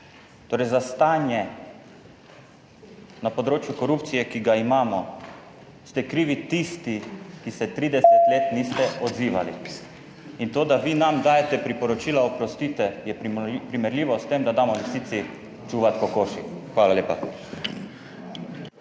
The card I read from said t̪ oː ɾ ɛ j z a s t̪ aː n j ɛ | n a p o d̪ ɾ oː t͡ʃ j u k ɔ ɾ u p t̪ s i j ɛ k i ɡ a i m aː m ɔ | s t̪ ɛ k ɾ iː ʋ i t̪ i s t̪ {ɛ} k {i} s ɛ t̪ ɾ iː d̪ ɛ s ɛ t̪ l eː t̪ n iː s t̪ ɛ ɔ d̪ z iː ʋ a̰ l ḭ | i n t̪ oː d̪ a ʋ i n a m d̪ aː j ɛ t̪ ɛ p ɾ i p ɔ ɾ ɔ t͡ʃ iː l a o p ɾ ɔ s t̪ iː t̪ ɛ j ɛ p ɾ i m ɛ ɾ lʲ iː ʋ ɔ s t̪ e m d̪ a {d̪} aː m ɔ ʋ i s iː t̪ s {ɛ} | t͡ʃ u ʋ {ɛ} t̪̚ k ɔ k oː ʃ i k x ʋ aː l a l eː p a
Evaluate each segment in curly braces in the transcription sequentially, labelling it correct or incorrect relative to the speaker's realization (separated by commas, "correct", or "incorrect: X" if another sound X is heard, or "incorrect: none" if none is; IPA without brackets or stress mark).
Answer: incorrect: i, correct, correct, incorrect: i, incorrect: a